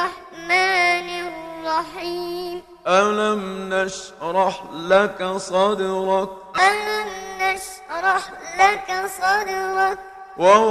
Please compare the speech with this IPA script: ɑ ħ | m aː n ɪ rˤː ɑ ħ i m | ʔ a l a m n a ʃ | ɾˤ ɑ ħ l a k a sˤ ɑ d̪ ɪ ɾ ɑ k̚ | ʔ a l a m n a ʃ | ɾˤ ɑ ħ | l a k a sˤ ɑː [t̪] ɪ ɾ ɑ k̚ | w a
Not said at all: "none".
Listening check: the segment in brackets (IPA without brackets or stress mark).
d̪